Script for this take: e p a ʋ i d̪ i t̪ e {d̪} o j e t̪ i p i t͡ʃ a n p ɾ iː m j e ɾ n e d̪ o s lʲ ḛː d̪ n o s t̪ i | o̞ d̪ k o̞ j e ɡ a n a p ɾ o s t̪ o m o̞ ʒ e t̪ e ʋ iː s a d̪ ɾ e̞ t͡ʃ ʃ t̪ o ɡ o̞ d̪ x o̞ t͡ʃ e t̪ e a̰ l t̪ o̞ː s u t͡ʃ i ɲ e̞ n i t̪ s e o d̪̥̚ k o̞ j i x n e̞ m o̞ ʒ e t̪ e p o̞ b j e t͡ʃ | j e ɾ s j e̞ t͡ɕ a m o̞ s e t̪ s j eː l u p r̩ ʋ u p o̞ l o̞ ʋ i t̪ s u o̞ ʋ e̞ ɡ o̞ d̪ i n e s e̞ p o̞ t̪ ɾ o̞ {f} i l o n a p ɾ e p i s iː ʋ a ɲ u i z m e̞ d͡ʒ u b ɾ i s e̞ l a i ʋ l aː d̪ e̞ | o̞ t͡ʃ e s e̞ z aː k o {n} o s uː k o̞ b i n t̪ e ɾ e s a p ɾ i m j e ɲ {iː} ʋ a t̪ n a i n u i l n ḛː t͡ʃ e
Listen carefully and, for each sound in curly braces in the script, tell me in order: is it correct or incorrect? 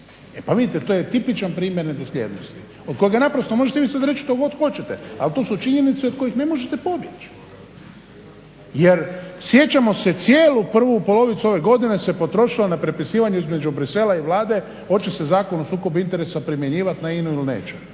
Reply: incorrect: t̪, incorrect: ʃ, correct, correct

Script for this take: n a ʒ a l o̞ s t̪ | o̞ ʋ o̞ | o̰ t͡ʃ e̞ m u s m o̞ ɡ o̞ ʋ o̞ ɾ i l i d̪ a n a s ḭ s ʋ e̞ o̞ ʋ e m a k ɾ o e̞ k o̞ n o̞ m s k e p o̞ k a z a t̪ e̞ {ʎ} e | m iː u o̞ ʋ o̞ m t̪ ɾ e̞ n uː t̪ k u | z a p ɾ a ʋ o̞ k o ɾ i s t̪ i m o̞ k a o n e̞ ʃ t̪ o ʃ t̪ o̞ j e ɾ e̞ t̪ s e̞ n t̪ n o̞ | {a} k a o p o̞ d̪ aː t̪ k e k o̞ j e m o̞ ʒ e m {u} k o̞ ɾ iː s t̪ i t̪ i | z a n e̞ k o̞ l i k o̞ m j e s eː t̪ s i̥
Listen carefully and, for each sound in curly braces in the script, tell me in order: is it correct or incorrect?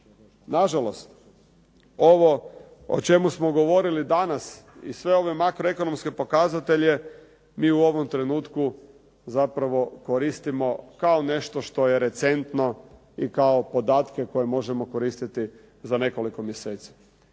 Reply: correct, incorrect: i, incorrect: o

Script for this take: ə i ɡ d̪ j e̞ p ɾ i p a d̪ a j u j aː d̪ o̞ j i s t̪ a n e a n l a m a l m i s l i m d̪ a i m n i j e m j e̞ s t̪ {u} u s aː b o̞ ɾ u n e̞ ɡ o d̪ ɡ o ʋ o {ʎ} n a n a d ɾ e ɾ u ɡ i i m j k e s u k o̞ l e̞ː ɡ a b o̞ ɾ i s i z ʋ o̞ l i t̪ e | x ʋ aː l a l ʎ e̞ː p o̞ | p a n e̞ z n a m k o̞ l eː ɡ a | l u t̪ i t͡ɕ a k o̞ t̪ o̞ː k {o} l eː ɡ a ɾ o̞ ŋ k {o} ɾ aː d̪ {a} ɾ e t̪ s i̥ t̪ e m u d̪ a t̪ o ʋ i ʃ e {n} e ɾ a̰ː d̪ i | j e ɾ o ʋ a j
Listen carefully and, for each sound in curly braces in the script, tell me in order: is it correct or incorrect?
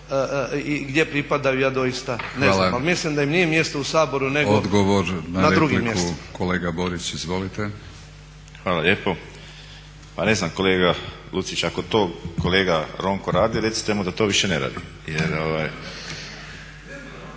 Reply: incorrect: o, incorrect: ɾ, correct, correct, incorrect: i, correct

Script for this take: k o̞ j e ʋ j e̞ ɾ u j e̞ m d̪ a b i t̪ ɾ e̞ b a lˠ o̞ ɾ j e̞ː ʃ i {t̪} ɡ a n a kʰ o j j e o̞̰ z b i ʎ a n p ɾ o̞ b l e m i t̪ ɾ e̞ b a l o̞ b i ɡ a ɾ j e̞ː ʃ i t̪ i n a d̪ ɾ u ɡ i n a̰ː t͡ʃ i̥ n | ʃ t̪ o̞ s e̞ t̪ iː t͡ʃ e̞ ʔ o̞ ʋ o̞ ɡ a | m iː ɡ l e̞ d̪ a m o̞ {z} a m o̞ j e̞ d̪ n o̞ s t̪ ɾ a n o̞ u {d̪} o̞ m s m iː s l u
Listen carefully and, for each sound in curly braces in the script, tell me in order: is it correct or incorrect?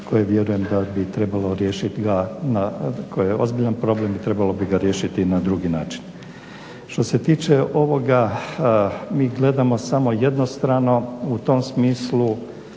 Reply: correct, incorrect: s, incorrect: t̪

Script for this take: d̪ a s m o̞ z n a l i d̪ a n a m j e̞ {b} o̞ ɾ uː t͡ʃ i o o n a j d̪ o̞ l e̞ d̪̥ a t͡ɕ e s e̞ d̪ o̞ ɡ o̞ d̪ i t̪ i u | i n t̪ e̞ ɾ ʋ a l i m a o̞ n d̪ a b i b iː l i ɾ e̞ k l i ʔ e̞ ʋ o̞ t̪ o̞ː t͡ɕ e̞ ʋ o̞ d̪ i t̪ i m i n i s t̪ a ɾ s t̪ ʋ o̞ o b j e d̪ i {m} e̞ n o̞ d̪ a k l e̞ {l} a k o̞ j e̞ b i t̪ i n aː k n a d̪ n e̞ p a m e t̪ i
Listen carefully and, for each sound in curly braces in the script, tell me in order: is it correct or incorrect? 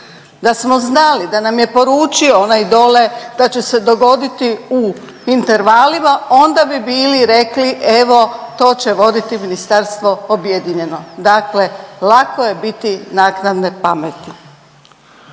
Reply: incorrect: p, incorrect: ɲ, correct

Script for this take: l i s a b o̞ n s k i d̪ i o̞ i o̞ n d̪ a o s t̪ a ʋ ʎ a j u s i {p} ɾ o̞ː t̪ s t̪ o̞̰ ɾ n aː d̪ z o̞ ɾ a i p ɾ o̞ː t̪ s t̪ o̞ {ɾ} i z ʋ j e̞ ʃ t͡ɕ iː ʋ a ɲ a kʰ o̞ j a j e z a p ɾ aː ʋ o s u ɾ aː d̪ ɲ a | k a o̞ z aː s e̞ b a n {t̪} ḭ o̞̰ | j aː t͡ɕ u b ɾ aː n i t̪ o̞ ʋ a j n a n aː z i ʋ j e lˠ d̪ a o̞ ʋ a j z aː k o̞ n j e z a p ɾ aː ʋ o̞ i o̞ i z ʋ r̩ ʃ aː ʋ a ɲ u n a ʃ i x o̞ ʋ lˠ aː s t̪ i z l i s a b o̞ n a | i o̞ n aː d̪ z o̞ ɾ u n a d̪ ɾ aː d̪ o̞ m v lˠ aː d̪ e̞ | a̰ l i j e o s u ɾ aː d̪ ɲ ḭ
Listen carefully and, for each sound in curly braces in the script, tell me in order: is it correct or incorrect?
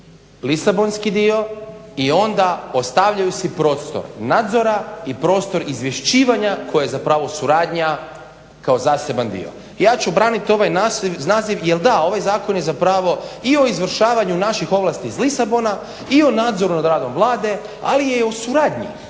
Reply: correct, correct, incorrect: d̪

